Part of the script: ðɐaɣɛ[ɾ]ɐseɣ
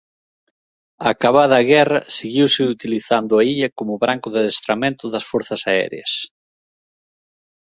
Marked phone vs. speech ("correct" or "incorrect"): incorrect